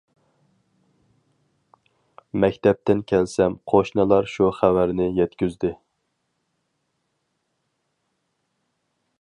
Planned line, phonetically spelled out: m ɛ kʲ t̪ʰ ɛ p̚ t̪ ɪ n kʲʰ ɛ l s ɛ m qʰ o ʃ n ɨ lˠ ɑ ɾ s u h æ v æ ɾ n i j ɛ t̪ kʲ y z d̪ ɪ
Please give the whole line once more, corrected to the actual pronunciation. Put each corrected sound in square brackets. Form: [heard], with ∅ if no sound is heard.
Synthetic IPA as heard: m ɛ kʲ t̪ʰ ɛ p̚ t̪ ɪ n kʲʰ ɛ l s ɛ m qʰ o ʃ n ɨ lˠ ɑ ɾ [ʃ] u [χ] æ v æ ɾ n [ɪ] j ɛ t̪ kʲ y z d̪ ɪ